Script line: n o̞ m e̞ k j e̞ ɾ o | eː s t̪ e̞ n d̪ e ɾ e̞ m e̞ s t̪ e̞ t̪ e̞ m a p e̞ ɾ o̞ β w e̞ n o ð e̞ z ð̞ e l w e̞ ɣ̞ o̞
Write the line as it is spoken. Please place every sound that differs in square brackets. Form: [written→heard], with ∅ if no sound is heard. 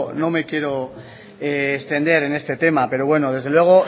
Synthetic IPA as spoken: n o̞ m e̞ k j e̞ ɾ o | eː s t̪ e̞ n d̪ e ɾ e̞ [m→n] e̞ s t̪ e̞ t̪ e̞ m a p e̞ ɾ o̞ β w e̞ n o ð e̞ z ð̞ e l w e̞ ɣ̞ o̞